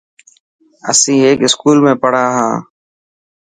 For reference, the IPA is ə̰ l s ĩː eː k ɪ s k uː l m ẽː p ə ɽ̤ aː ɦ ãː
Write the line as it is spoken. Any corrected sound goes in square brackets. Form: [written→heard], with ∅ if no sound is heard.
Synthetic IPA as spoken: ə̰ [l→∅] s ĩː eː k ɪ s k uː l m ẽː p ə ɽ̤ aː ɦ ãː